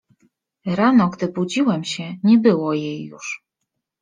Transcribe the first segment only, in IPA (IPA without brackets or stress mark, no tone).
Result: ɾ